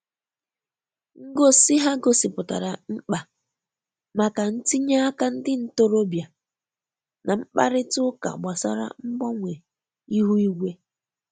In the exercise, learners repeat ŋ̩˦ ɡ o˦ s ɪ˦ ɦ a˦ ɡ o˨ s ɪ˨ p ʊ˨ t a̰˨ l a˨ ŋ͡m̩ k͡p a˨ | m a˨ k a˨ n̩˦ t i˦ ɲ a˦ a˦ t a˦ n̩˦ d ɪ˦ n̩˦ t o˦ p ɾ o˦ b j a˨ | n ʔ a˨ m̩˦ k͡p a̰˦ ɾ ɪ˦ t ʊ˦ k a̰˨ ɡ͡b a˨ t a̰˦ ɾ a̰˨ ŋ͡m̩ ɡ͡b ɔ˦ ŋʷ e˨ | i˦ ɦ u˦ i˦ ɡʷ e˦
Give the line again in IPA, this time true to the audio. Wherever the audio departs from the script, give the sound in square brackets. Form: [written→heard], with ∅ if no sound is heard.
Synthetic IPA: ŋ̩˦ ɡ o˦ s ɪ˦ ɦ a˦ ɡ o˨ s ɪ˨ p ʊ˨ t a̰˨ [l→ɾ] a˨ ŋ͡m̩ k͡p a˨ | m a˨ k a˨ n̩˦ t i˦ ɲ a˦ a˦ [t→k] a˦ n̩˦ d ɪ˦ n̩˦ t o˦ [p→∅] ɾ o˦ b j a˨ | n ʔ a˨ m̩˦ k͡p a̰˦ ɾ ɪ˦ t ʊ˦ k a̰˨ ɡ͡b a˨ [t→s] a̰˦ ɾ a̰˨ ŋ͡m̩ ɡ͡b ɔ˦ ŋʷ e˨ | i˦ ɦ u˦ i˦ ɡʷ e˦